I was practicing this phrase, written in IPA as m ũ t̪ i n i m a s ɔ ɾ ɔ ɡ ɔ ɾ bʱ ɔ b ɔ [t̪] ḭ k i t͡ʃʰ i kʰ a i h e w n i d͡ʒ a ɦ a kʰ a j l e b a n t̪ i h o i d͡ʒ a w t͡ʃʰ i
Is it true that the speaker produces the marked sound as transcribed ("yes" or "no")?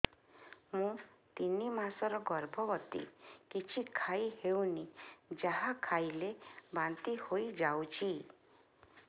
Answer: yes